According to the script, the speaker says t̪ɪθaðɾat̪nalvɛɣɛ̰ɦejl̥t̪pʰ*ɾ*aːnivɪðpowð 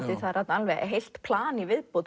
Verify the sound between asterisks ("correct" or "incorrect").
incorrect